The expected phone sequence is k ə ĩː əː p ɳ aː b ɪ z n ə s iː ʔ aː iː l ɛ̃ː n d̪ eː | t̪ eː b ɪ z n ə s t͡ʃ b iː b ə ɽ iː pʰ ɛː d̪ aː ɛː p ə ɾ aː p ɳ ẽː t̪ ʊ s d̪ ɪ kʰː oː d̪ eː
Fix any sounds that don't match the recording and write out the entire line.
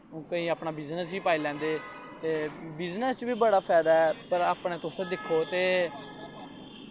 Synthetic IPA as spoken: k ə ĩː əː p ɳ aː b ɪ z n ə s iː p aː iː l ɛ̃ː n d̪ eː | t̪ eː b ɪ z n ə s t͡ʃ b iː b ə ɽ aː pʰ ɛː d̪ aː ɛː p ə ɾ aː p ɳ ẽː t̪ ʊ s d̪ ɪ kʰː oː t̪ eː